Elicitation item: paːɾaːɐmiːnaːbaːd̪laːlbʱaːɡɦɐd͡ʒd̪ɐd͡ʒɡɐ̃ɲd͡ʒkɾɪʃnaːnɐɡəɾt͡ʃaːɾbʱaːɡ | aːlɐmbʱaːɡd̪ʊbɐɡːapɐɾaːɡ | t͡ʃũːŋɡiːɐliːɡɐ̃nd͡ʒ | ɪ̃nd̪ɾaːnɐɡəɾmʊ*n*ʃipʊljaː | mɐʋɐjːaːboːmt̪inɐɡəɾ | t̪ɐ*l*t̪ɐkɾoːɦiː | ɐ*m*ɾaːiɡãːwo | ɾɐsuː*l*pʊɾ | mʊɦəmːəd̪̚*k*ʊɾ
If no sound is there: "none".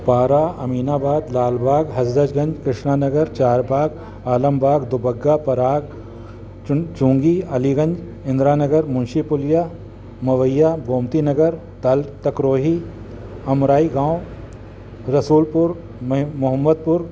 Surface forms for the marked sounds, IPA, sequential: n, l, m, l, p

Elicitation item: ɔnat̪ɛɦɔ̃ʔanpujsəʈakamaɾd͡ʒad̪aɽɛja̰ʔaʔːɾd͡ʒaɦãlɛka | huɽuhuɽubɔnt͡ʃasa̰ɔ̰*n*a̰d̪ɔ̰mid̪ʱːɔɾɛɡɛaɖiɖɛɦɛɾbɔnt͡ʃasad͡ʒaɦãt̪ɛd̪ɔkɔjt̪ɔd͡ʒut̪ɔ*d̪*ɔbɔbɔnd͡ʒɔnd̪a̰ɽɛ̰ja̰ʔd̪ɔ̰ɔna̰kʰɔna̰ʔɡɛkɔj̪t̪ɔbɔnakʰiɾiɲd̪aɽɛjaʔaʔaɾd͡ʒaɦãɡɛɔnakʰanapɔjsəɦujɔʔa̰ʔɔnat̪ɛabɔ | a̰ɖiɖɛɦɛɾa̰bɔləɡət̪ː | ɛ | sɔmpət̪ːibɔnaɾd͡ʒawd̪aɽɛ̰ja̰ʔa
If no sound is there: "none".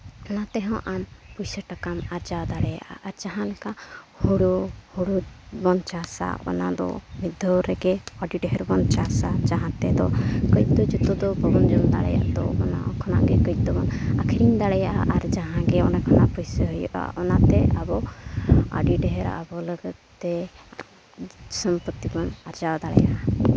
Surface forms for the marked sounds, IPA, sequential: n, d̪

